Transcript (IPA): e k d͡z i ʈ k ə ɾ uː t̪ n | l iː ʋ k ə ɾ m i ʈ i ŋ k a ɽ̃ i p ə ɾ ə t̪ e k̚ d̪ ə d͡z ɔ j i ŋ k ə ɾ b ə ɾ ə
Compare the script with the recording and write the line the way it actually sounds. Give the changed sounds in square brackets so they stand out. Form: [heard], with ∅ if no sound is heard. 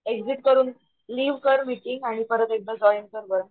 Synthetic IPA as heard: e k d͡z i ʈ k ə ɾ uː [∅] n | l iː ʋ k ə ɾ m i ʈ i ŋ [ɡ] a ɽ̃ i p ə ɾ ə t̪ e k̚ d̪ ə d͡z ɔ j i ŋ k ə ɾ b ə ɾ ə